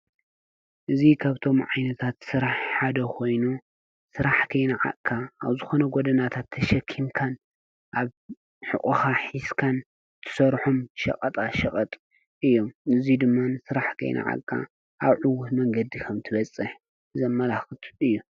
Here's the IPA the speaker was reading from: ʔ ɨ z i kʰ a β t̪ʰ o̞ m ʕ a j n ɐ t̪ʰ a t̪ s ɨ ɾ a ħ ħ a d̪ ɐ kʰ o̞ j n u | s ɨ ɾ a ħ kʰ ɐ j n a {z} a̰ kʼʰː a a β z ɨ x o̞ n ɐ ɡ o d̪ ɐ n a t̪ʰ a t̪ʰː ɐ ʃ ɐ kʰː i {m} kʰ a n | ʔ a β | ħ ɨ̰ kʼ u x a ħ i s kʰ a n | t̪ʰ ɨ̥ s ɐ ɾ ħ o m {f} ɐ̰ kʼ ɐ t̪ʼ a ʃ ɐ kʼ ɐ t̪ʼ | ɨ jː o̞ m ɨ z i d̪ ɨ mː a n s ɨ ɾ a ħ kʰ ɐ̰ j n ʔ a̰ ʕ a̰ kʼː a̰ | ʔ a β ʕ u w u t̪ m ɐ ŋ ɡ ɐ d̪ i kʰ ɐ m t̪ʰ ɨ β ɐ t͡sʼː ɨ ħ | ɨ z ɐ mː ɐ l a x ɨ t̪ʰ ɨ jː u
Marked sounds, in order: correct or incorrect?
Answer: incorrect, correct, incorrect

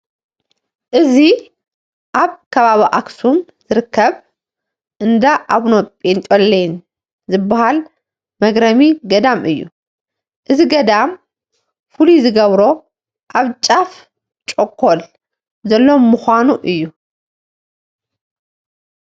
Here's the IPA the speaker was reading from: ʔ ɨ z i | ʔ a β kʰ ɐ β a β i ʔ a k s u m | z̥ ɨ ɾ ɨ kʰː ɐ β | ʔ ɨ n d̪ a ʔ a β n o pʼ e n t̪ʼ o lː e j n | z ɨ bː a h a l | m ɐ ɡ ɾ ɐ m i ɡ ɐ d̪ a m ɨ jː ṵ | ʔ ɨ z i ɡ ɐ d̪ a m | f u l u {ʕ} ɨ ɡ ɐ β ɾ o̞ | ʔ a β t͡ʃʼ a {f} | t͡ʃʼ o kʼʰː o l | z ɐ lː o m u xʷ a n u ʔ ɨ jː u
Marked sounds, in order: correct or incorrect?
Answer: incorrect, correct

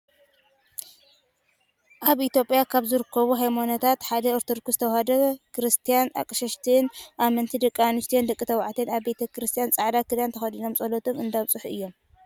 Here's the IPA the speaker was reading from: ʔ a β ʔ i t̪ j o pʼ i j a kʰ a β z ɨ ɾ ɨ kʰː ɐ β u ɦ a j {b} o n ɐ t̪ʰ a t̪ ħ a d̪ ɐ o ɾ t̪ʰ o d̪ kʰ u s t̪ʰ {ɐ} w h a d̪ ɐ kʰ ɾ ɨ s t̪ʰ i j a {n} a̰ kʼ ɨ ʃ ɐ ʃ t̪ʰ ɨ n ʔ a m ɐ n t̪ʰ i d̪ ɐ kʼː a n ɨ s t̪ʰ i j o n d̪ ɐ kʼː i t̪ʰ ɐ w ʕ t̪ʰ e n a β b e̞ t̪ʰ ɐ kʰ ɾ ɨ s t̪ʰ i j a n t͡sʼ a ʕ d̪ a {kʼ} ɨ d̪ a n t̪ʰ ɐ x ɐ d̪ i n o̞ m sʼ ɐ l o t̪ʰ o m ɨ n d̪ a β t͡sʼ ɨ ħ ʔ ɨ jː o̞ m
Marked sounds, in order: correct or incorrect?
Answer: incorrect, correct, correct, incorrect

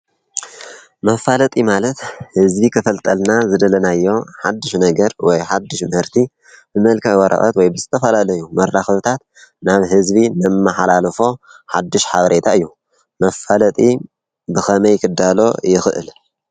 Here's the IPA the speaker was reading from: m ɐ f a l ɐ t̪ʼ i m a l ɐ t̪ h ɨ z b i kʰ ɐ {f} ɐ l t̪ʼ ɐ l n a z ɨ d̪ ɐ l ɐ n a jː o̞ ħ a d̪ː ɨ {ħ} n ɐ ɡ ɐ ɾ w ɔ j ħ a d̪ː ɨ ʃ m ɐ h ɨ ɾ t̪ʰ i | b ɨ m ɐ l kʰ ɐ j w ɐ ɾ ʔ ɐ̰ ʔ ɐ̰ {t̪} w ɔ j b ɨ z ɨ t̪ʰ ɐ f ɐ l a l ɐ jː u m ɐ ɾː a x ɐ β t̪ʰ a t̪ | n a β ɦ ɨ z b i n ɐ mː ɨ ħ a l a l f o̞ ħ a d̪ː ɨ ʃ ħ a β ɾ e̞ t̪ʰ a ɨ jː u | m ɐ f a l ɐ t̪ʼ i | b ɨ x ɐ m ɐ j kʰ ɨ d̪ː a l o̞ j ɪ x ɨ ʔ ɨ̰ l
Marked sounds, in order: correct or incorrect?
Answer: correct, incorrect, correct

